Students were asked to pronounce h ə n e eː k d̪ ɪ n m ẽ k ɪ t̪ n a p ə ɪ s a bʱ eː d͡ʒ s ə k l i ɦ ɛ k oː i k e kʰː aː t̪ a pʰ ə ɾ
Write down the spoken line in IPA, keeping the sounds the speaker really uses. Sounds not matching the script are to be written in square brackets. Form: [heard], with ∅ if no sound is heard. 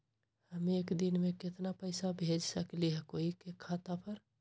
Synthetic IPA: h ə [m] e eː k d̪ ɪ n m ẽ k ɪ t̪ n a p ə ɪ s a bʱ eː d͡ʒ s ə k l i ɦ ɛ k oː i k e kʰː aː t̪ a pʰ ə ɾ